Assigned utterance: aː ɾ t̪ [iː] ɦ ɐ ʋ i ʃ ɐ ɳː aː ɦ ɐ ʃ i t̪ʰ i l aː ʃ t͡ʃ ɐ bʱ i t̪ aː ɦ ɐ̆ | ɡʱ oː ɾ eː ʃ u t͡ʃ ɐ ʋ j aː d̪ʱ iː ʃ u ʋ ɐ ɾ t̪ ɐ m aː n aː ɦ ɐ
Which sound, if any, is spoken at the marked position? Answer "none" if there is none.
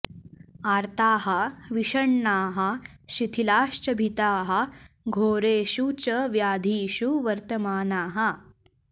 aː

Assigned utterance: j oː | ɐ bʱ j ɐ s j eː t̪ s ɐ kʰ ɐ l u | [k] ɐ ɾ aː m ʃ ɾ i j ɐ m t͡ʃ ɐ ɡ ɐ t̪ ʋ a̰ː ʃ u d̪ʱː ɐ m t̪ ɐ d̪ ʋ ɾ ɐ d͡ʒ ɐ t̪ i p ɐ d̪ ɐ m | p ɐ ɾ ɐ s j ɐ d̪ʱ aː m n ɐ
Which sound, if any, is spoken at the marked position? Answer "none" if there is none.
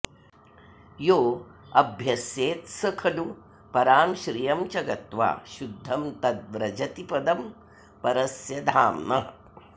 p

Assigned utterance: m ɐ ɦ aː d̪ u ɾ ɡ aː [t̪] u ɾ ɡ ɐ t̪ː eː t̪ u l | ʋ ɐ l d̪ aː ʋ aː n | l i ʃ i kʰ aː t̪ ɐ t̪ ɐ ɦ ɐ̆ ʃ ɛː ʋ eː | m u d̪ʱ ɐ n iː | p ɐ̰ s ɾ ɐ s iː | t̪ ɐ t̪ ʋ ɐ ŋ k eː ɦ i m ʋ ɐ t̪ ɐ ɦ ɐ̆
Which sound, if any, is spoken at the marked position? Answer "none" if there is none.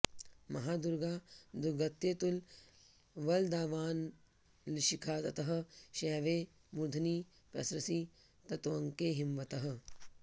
d̪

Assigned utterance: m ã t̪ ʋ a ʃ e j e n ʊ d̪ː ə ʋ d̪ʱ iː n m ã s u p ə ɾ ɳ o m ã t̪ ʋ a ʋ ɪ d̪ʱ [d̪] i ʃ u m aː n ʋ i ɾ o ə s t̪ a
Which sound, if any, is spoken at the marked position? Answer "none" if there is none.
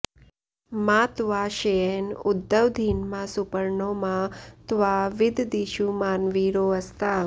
d̪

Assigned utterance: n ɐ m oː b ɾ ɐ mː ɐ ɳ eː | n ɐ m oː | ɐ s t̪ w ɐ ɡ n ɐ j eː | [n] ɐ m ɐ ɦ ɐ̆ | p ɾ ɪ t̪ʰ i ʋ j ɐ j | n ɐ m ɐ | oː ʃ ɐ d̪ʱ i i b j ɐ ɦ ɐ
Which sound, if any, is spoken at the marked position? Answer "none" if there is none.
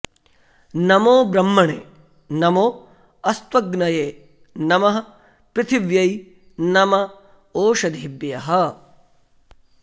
n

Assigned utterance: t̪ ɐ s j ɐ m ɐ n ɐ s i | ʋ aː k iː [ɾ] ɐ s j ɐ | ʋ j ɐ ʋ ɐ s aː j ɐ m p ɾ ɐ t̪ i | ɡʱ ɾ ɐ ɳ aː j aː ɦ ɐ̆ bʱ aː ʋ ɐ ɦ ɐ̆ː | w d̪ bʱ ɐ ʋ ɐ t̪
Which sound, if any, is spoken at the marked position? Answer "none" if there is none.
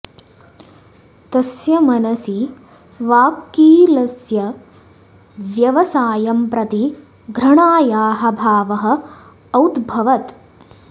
l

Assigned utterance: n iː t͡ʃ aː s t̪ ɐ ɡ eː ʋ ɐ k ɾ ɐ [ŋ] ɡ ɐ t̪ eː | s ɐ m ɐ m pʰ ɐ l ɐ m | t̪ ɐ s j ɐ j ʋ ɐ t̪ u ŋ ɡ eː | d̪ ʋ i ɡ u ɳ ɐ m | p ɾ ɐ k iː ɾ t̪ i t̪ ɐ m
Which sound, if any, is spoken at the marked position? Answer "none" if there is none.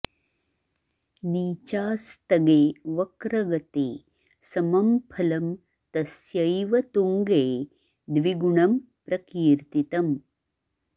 none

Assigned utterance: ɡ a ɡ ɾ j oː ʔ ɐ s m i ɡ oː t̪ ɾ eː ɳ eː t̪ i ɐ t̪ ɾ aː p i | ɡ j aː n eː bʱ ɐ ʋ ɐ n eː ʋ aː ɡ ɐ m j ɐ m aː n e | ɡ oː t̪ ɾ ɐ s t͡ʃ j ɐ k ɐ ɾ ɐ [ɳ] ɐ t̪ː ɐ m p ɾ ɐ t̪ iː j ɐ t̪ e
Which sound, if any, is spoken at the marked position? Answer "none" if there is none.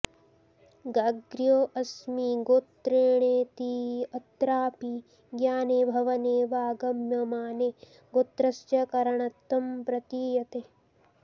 ɳ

